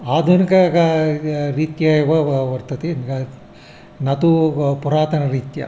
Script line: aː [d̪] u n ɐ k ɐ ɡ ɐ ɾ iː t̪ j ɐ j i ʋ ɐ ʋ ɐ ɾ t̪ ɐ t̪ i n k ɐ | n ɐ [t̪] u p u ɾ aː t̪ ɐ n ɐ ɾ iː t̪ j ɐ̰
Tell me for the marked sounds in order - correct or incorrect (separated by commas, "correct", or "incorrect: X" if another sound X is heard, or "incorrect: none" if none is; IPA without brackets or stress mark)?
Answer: correct, correct